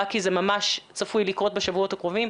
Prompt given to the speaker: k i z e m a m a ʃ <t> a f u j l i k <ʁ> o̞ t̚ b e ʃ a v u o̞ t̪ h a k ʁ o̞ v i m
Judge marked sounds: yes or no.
no, yes

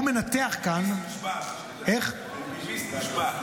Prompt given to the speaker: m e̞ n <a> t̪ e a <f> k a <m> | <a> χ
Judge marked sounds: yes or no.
yes, no, no, no

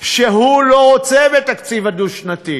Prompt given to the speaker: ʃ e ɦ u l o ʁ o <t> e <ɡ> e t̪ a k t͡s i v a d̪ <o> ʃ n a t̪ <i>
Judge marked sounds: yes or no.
no, no, no, yes

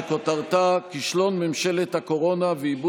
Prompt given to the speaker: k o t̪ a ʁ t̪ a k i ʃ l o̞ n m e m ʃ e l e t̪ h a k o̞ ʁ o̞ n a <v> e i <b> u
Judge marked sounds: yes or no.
yes, yes

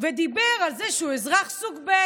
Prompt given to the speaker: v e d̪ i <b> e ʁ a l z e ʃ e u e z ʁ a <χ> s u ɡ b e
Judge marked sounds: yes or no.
yes, yes

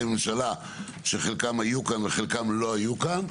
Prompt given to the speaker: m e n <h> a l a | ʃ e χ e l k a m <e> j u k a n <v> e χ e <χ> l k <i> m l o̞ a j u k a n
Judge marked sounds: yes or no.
no, no, yes, no, no

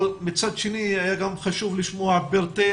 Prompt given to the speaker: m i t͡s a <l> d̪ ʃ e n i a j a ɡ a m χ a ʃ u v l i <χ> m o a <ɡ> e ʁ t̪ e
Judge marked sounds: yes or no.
no, no, no

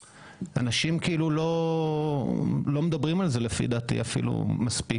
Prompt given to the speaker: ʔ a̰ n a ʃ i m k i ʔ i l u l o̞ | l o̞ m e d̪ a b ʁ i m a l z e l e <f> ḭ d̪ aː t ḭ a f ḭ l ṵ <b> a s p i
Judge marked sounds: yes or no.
yes, no

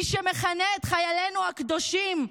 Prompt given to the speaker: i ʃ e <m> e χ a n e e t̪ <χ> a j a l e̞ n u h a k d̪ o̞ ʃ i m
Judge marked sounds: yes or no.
yes, yes

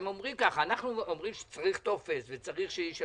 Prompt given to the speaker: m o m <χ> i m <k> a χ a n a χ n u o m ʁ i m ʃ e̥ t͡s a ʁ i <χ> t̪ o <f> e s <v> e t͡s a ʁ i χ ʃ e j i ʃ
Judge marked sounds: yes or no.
no, yes, yes, yes, yes

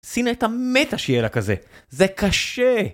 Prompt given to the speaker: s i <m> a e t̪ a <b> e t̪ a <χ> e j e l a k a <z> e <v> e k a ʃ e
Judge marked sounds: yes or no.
no, no, no, yes, no

